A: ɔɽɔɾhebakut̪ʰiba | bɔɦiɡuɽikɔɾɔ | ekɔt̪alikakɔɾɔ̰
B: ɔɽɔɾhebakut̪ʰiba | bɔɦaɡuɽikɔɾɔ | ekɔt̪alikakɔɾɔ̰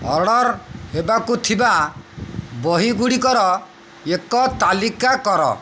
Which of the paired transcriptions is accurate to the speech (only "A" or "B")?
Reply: A